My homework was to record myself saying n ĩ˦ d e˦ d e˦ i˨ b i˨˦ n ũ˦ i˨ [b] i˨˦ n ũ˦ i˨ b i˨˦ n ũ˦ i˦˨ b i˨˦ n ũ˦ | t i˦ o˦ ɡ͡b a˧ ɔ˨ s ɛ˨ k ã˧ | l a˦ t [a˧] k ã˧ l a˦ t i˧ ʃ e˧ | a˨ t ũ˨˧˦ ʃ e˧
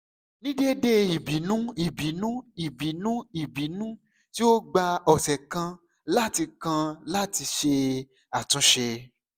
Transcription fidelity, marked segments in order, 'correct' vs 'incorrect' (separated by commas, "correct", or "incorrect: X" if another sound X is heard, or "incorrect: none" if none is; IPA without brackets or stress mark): correct, incorrect: i˧